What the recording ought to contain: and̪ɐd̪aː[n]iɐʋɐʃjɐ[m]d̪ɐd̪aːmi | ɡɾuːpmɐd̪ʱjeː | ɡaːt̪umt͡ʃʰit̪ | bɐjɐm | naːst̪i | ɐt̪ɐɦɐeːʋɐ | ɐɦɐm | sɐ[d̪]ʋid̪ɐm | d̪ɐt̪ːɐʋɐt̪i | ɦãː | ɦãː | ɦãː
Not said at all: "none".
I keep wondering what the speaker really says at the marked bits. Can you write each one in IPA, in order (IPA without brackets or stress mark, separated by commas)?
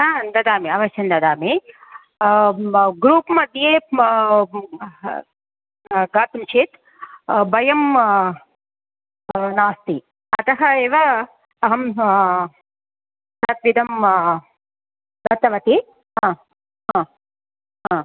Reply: m, n, t̪